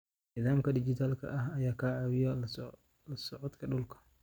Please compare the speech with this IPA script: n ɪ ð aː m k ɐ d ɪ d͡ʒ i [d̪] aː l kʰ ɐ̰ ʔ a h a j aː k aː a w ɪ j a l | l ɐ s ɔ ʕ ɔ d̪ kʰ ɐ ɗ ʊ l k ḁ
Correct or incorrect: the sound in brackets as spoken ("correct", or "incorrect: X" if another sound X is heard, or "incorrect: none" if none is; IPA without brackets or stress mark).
incorrect: t̪